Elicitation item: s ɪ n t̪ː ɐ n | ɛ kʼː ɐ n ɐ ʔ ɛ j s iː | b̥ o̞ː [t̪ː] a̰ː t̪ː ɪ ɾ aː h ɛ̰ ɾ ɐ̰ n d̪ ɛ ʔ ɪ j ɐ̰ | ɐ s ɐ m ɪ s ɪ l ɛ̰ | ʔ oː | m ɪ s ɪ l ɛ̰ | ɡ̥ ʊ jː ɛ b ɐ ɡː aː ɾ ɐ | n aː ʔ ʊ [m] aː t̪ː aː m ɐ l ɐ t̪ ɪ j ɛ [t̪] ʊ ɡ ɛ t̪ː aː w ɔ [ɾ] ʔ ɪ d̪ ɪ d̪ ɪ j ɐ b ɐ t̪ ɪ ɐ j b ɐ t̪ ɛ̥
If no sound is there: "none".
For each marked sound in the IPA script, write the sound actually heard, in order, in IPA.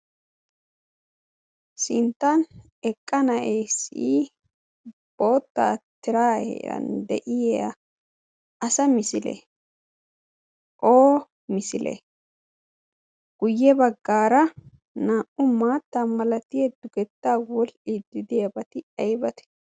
t̪ː, m, d̪, l

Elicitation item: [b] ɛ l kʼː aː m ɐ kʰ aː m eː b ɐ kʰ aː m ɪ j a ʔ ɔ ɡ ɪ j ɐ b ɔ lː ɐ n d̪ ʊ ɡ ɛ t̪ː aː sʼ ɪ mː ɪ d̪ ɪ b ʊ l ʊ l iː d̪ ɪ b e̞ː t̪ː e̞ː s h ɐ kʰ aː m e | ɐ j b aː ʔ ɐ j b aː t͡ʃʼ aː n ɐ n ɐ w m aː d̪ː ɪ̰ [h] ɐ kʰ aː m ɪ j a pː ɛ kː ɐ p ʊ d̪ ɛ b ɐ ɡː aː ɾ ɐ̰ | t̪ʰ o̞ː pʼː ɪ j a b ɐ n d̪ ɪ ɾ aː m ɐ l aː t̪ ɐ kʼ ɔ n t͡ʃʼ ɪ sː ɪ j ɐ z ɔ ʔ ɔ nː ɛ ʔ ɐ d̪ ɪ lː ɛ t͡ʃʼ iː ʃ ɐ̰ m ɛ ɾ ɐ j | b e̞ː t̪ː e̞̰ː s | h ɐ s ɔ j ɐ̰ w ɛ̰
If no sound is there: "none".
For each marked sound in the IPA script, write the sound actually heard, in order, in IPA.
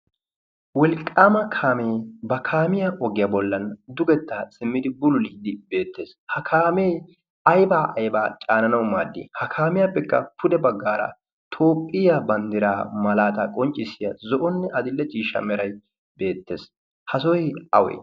w, h

